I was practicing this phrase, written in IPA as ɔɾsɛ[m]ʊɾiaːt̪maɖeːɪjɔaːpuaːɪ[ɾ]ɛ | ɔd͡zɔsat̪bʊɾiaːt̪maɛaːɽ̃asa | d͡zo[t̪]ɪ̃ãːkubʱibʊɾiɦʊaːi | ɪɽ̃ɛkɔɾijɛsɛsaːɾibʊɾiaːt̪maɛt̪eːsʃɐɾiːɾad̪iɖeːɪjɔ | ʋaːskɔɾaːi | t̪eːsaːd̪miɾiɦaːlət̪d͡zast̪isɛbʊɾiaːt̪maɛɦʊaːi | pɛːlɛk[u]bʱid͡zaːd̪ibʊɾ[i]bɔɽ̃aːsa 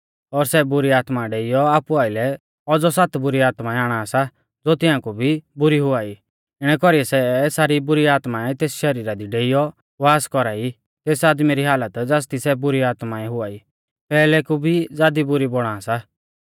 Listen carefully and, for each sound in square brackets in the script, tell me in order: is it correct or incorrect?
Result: incorrect: b, incorrect: l, correct, correct, correct

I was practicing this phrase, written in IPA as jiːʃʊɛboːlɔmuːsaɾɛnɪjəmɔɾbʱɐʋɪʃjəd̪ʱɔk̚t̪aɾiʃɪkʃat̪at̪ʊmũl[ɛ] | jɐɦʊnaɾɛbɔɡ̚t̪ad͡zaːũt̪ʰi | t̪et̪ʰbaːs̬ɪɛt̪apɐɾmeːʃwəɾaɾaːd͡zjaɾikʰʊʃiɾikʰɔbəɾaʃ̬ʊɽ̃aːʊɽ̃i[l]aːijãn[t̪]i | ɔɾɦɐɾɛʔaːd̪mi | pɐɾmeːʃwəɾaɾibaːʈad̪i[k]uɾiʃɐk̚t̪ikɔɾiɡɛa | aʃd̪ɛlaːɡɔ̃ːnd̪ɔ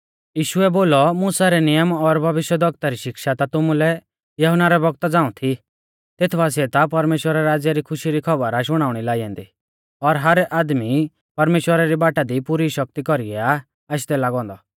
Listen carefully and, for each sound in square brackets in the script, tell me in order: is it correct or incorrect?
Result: correct, correct, incorrect: d̪, incorrect: p

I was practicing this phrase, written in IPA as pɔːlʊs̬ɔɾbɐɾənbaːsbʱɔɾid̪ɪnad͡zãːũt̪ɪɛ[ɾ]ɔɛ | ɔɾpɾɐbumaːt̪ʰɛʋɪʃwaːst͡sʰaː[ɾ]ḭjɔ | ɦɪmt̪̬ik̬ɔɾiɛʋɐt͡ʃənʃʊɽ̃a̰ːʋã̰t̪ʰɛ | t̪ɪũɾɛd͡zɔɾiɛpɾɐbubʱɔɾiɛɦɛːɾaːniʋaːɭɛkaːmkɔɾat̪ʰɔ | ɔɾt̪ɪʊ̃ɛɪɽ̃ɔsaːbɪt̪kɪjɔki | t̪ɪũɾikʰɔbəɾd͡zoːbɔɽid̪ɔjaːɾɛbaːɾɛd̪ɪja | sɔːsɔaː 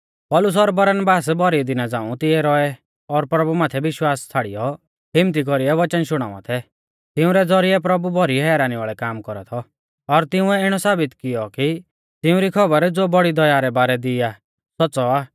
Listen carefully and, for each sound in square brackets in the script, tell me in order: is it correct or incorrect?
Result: correct, incorrect: ɽ

